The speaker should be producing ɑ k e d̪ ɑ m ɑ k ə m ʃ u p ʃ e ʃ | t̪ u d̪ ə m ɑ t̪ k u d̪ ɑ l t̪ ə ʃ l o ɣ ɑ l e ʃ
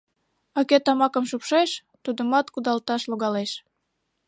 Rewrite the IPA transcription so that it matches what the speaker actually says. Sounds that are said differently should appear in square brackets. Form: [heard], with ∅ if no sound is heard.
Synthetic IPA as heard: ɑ k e [t̪] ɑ m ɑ k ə m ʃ u p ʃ e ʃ | t̪ u d̪ ə m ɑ t̪ k u d̪ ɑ l t̪ [ɑ] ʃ l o ɣ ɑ l e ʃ